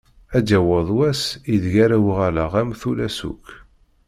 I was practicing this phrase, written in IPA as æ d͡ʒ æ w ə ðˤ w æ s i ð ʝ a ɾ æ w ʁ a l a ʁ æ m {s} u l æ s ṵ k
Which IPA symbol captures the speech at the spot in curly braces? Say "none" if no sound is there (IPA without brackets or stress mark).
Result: θ